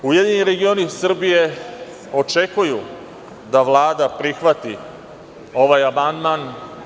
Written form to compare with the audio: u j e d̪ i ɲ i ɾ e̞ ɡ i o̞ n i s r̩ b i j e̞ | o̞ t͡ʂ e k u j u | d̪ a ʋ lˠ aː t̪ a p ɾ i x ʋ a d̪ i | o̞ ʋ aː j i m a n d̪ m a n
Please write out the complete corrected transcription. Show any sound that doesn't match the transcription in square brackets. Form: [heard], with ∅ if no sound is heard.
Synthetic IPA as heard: u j e d̪ i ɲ i ɾ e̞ ɡ i o̞ n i s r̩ b i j e̞ | o̞ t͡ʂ e k u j u | d̪ a ʋ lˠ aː [d̪] a p ɾ i x ʋ a [t̪] i | o̞ ʋ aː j [a] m a n d̪ m a n